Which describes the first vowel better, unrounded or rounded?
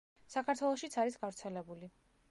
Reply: unrounded